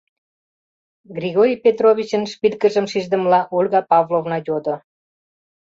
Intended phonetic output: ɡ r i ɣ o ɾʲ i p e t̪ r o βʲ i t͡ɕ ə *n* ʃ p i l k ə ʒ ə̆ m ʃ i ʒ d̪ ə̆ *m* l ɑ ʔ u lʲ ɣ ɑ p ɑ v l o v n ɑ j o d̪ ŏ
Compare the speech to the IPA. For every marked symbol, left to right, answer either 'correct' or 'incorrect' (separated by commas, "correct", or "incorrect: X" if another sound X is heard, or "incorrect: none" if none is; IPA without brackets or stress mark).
correct, correct